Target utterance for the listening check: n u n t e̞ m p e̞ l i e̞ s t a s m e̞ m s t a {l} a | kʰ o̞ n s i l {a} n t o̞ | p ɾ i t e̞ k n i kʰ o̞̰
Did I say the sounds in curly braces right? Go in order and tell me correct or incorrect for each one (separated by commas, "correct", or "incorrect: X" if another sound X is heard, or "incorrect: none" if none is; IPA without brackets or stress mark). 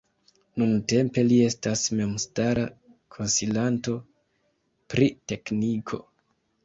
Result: incorrect: ɾ, correct